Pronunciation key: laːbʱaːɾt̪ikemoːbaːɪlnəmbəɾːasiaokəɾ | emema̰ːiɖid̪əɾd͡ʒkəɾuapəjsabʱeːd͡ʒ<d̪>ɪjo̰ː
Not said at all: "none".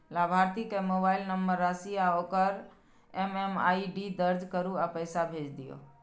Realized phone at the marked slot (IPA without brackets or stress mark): d̪